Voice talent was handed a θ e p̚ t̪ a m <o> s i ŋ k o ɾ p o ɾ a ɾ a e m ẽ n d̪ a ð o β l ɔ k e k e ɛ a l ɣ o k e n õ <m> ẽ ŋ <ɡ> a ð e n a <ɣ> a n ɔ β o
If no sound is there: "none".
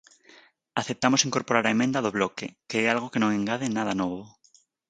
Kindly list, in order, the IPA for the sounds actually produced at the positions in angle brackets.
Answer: o, ŋ, ɡ, ð

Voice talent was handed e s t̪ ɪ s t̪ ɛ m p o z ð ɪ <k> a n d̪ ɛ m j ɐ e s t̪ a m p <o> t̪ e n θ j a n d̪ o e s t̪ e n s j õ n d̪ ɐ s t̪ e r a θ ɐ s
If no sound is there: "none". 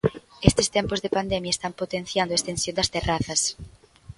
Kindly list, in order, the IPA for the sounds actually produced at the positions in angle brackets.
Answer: p, o

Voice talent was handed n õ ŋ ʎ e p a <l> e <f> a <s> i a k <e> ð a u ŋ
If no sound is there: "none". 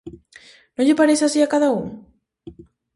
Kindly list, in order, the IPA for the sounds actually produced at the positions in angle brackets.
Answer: ɾ, s, s, a

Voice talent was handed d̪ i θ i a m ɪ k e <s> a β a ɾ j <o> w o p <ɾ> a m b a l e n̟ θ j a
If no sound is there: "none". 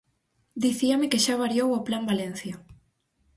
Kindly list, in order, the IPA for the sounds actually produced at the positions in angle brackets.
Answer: ʃ, o, l

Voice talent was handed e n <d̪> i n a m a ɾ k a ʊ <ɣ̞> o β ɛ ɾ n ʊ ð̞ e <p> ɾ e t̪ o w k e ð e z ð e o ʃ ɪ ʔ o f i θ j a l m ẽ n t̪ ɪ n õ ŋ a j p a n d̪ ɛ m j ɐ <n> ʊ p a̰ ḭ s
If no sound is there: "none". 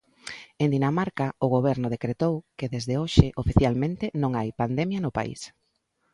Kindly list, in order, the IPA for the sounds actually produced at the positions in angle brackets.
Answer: d̪, ɣ̞, k, n

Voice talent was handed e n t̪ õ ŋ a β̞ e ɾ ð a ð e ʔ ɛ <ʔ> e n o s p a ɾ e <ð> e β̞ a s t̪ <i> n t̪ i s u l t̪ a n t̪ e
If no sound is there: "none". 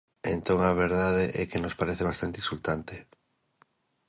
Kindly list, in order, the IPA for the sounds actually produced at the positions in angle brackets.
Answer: k, θ, a

